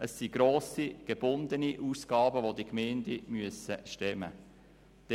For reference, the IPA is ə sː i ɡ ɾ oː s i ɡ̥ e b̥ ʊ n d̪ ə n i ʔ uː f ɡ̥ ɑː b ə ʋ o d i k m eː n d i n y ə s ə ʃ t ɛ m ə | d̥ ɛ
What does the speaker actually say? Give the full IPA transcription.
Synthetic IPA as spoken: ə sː i ɡ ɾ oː s i ɡ̥ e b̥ ʊ n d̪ ə n i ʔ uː s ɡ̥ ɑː b ə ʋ o d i k m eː n d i m y ə s ə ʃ t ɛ m ə | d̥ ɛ